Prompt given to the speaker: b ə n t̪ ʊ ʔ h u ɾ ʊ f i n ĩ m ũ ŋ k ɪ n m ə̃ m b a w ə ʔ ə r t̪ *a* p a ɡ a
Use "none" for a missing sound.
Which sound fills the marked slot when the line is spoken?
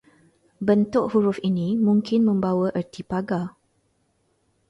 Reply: i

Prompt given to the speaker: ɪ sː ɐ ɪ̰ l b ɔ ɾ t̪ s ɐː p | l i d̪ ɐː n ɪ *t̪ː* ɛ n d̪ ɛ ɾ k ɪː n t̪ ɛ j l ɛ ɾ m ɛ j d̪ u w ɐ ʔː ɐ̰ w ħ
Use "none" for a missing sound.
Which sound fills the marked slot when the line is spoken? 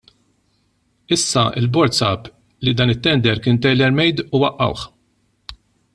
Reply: t̪ː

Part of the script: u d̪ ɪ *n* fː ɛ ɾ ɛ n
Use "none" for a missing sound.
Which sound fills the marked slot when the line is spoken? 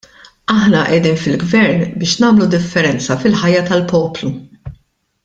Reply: none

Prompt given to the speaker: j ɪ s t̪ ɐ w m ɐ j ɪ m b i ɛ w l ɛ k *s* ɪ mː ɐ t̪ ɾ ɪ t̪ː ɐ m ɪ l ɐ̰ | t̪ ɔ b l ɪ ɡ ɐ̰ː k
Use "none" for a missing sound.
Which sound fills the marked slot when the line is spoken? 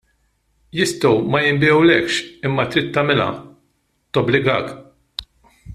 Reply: ʃ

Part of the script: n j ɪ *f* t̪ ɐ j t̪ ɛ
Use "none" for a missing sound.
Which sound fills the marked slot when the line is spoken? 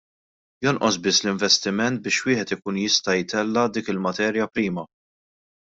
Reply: s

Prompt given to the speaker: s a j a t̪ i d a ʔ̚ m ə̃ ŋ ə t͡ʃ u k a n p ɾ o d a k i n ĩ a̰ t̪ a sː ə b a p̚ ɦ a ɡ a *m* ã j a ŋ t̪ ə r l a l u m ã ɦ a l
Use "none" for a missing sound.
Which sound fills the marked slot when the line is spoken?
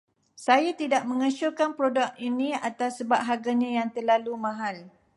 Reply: ɲ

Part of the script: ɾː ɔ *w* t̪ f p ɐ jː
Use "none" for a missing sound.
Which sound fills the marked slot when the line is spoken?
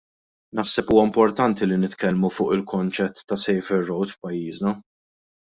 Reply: w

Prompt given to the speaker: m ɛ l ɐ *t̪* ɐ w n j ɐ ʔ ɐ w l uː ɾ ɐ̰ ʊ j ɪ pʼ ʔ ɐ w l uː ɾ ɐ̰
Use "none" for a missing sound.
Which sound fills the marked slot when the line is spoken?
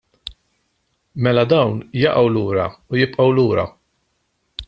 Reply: d̪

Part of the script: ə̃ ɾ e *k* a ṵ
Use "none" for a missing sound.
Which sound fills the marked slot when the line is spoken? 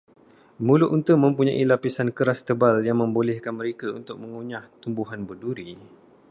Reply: k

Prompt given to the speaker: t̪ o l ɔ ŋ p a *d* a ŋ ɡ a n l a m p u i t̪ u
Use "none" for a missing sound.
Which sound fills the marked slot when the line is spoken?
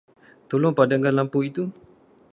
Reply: d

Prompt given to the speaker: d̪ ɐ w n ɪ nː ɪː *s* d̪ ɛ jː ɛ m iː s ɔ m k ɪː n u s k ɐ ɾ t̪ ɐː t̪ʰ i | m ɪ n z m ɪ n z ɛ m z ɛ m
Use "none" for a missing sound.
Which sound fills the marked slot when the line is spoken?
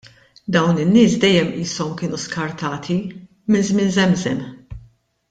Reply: s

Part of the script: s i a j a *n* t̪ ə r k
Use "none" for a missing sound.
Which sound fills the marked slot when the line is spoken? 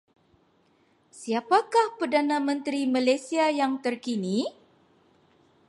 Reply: ŋ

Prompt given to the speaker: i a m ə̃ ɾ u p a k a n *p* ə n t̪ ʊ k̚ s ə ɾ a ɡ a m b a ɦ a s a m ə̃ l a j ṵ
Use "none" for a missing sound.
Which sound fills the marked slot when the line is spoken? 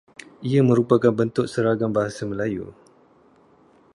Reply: b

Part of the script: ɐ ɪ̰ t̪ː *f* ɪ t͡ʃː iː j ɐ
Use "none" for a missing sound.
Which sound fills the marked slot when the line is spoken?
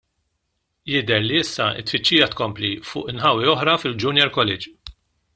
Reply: f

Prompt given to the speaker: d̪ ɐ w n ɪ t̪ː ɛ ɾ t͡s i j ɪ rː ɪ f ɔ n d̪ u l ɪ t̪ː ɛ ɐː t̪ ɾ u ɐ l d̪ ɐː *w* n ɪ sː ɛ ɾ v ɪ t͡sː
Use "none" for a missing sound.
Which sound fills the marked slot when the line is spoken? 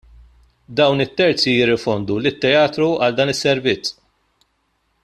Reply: none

